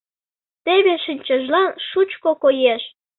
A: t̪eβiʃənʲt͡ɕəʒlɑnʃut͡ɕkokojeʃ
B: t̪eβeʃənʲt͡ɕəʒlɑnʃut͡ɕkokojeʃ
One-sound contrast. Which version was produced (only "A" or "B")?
B